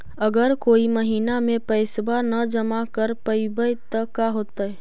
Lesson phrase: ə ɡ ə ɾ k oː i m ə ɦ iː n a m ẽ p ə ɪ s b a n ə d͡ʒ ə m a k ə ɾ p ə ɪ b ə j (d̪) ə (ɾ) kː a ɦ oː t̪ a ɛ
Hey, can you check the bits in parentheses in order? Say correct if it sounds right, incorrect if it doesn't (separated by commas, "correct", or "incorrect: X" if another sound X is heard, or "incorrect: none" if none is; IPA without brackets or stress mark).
incorrect: t̪, incorrect: none